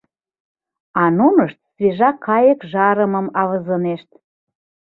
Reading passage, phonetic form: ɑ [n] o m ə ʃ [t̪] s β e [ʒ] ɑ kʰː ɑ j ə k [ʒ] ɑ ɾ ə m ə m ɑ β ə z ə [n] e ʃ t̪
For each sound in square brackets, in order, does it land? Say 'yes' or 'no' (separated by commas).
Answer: yes, yes, yes, yes, yes